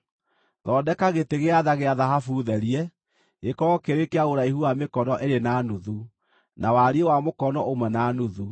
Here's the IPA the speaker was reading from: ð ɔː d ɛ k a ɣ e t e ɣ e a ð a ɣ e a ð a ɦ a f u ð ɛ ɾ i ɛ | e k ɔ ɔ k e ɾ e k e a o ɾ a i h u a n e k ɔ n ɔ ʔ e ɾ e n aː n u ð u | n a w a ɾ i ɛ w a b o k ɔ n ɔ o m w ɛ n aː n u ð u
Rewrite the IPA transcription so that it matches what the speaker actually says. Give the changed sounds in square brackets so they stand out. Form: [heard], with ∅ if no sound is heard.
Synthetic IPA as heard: ð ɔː d ɛ k a ɣ e t e ɣ e a ð a ɣ e a ð a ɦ a f u ð ɛ ɾ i ɛ | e k ɔ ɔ k e ɾ e k e a o ɾ a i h u a [m] e k ɔ n ɔ ʔ e ɾ e n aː n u ð u | n a w a ɾ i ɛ w a [m] o k ɔ n ɔ o m w ɛ n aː n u ð u

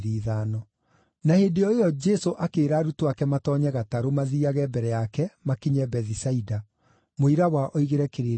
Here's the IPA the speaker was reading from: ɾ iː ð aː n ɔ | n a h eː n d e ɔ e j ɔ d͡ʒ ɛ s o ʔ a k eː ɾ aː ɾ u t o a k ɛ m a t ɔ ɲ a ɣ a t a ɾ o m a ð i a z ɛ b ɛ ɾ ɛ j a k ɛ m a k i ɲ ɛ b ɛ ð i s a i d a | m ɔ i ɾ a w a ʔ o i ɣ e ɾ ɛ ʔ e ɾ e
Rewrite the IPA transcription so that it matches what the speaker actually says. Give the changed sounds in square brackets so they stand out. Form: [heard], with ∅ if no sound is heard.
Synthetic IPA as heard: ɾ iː ð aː n ɔ | n a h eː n d e ɔ e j ɔ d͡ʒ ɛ s o ʔ a k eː ɾ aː ɾ u t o a k ɛ m a t ɔ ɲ [ɛ] ɣ a t a ɾ o m a ð i a [ɣ] ɛ b ɛ ɾ ɛ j a k ɛ m a k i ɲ ɛ b ɛ ð i s a i d a | m [o] i ɾ a w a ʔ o i ɣ e ɾ ɛ [k] e ɾ e

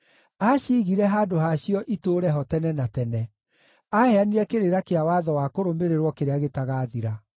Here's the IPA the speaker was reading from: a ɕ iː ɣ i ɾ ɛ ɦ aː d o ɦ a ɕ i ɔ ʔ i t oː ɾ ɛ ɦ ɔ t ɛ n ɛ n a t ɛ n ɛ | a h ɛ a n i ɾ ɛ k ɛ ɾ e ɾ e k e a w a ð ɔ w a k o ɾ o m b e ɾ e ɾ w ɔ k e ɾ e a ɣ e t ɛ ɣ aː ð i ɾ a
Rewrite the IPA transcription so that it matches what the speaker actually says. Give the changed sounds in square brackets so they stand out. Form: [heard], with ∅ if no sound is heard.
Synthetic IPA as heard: a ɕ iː ɣ i ɾ ɛ ɦ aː d o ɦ a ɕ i ɔ ʔ i t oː ɾ ɛ ɦ ɔ t ɛ n ɛ n a t ɛ n ɛ | a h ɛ a n i ɾ ɛ k [e] ɾ e ɾ [a] k e a w a ð ɔ w a k o ɾ o m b e ɾ e ɾ w ɔ k e ɾ e a ɣ e t [a] ɣ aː ð i ɾ a

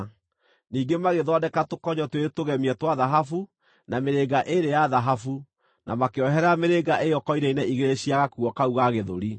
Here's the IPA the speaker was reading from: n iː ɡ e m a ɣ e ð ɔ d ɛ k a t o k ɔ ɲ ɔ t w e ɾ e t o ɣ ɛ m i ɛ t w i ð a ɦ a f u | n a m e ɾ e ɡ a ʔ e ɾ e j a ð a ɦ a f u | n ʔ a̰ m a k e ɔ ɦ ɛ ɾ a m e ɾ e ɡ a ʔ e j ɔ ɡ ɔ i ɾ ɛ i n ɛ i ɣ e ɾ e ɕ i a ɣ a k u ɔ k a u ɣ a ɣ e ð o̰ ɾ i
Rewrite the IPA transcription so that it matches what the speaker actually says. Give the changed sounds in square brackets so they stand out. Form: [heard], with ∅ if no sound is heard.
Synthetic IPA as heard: n iː ɡ e m a ɣ e ð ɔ d ɛ k a t o k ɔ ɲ ɔ t w e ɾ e t o ɣ ɛ m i ɛ t w [a] ð a ɦ a f u | n a m e ɾ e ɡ a ʔ e ɾ e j a ð a ɦ a f u | n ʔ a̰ m a k e ɔ ɦ ɛ ɾ a m e ɾ e ɡ a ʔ e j ɔ [k] ɔ i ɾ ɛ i n ɛ i ɣ e ɾ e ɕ i a ɣ a k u ɔ k a u ɣ a ɣ e ð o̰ ɾ i

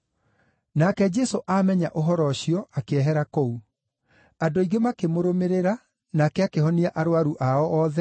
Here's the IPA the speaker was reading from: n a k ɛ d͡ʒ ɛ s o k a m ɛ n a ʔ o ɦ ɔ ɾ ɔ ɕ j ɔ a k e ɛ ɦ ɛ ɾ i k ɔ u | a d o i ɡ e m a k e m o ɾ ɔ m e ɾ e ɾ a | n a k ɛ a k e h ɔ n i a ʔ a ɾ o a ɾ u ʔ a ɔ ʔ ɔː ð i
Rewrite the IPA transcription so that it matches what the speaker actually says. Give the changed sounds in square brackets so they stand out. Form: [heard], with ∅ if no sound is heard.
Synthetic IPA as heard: n a k ɛ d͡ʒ ɛ s o [ʔ] a m ɛ [ɲ] a ʔ o ɦ ɔ ɾ ɔ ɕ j ɔ a k e ɛ ɦ ɛ ɾ [a] k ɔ u | a d o i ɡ e m a k e m o ɾ [o] m e ɾ e ɾ a | n a k ɛ a k e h ɔ n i a ʔ a ɾ o a ɾ u ʔ a ɔ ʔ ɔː ð [ɛ]

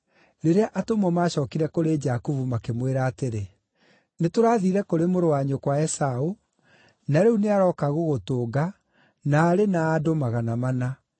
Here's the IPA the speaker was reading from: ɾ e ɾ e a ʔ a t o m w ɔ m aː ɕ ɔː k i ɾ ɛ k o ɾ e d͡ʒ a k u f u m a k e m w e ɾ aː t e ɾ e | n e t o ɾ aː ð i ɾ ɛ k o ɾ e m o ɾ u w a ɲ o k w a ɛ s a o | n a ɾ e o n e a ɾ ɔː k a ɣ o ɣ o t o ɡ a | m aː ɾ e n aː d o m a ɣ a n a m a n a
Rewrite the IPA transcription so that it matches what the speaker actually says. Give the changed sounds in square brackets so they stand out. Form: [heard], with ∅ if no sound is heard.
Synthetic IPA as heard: ɾ e ɾ e a ʔ a t o m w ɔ m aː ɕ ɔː k i ɾ ɛ k o ɾ e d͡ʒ a k u [v] u m a k e m w e ɾ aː t e ɾ e | n e t o ɾ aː ð i ɾ ɛ k o ɾ e m o ɾ [o] w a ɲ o k w a ɛ s a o | n a ɾ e [u] n e a ɾ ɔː k a ɣ o ɣ o t o ɡ a | [n] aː ɾ e n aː d o m a ɣ a n a m a n a

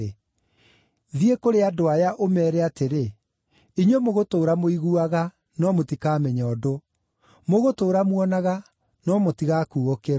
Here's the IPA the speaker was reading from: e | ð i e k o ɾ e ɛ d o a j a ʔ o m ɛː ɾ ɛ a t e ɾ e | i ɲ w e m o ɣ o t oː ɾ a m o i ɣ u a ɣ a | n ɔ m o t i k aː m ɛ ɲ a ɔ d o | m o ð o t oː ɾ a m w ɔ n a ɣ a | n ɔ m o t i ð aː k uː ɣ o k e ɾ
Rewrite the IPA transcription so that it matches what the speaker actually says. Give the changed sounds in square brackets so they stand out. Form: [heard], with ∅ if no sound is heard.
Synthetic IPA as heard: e | ð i e k o ɾ e [a] d o a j a ʔ o m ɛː ɾ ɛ a t e ɾ e | i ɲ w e m o ɣ o t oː ɾ a m o i ɣ u a ɣ a | n ɔ m o t i k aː m ɛ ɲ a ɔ d o | m o [ɣ] o t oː ɾ a m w ɔ n a ɣ a | n ɔ m o t i [ɣ] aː k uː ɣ o k e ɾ

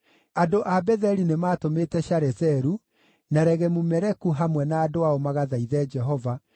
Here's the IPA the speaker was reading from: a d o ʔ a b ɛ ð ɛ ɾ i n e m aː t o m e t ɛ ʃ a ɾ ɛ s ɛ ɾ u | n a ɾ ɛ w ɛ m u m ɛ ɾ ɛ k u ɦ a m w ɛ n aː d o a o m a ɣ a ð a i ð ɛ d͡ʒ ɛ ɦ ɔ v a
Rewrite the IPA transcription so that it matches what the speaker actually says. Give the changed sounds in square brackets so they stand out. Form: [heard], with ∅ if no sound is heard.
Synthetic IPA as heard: a d o ʔ a b ɛ ð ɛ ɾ i n e m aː t o m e t ɛ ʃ a ɾ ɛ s ɛ ɾ u | n a ɾ ɛ [ɣ] ɛ m u m ɛ ɾ ɛ k u ɦ a m w ɛ n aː d o a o m a ɣ a ð a i ð ɛ d͡ʒ ɛ ɦ ɔ v a

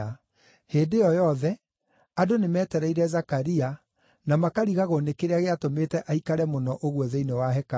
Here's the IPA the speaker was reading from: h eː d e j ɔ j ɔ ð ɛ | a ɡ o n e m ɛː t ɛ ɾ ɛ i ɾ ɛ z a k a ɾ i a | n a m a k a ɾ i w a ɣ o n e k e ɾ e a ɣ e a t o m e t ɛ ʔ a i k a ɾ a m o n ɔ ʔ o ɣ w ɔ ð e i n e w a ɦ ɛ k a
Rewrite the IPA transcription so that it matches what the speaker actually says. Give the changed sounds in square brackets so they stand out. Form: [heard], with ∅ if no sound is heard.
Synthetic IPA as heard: h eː d e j ɔ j ɔ ð ɛ | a [d] o n e m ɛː t ɛ ɾ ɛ i ɾ ɛ z a k a ɾ i a | n a m a k a ɾ i [ɣ] a ɣ o n e k e ɾ e a ɣ e a t o m e t ɛ ʔ a i k a ɾ [ɛ] m o n ɔ ʔ o ɣ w ɔ ð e i n e w a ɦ ɛ k a

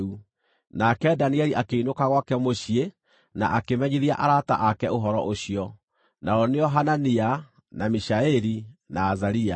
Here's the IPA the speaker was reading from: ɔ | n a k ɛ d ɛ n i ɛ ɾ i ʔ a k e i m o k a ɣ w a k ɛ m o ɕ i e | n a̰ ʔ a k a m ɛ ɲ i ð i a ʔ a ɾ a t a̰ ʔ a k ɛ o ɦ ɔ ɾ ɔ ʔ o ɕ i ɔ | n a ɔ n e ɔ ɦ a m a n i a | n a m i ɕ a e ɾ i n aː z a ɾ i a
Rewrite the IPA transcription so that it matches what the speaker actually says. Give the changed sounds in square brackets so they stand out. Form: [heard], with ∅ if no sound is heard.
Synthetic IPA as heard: [u] | n a k ɛ d [a] n i ɛ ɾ i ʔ a k e i [n] o k a ɣ w a k ɛ m o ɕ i e | n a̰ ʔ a k [e] m ɛ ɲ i ð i a ʔ a ɾ a t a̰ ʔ a k ɛ o ɦ ɔ ɾ ɔ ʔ o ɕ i ɔ | n a ɔ n e ɔ ɦ a [n] a n i a | n a m i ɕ a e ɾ i n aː z a ɾ i a

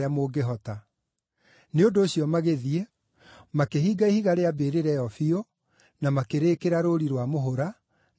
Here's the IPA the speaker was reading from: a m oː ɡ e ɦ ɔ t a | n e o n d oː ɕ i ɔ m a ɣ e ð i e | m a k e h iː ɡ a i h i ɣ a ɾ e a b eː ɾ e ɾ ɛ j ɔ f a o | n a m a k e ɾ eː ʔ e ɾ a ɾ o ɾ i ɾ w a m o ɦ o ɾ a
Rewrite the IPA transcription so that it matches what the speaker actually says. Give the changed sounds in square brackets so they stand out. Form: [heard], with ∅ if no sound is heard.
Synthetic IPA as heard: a m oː ɡ e ɦ ɔ t a | n e o n d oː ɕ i ɔ m a ɣ e ð i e | m a k e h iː ɡ a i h i ɣ a ɾ e a b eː ɾ e ɾ ɛ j ɔ f [i] o | n a m a k e ɾ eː [k] e ɾ a ɾ o ɾ i ɾ w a m o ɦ o ɾ a

